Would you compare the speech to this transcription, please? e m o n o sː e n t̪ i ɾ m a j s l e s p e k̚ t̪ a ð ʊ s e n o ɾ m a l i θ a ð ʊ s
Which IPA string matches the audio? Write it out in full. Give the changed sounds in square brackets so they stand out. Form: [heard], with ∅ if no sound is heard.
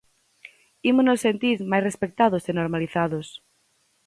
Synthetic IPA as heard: [i] m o n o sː e n t̪ i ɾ m a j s [r] e s p e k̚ t̪ a ð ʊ s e n o ɾ m a l i θ a ð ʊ s